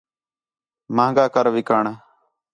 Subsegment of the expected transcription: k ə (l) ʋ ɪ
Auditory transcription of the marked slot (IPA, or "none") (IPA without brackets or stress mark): ɾ